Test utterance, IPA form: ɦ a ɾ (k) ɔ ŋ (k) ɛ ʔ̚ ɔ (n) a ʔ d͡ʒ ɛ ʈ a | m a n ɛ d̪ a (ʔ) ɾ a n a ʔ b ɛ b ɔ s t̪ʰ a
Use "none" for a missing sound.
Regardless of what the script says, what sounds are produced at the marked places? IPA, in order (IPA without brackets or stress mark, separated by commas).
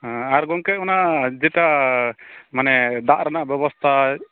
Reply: ɡ, k, n, ʔ